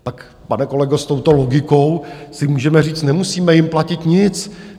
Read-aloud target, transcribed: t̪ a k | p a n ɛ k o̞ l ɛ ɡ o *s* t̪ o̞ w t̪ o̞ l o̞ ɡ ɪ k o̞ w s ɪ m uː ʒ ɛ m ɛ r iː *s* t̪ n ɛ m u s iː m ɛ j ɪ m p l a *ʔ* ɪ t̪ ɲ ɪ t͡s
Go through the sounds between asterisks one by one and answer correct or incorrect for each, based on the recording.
correct, incorrect, incorrect

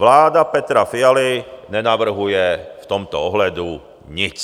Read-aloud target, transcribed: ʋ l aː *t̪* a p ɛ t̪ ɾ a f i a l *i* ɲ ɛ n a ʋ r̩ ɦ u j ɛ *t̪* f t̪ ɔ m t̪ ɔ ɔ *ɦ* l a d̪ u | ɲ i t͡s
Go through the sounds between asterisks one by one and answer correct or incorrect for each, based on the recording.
incorrect, correct, incorrect, correct

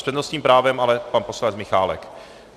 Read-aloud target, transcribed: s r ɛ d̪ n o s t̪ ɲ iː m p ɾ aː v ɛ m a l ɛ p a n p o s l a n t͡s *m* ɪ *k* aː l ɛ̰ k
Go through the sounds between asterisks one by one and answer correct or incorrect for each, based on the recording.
correct, incorrect

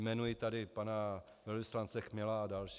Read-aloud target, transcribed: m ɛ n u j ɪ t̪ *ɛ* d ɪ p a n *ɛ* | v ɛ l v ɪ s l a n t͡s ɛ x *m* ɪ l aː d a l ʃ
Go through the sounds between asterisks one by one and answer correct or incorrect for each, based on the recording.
incorrect, incorrect, correct

